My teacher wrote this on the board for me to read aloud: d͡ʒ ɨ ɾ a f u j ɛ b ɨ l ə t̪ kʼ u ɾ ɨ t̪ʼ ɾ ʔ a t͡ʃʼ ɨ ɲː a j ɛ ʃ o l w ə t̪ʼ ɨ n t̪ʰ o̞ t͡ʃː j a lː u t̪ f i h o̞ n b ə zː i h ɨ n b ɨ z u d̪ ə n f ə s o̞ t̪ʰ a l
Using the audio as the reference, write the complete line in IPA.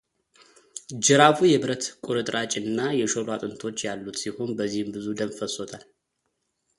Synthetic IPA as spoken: d͡ʒ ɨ ɾ a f u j ɛ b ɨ ɾ ə t̪ kʼ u ɾ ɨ t̪ʼ ɾ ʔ a t͡ʃʼ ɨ nː a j ɛ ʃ o l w a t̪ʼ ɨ n t̪ʰ o̞ t͡ʃː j a lː u t̪ s i h o̞ n b ə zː i h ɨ m b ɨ z u d̪ ə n f ə s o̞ t̪ʰ a l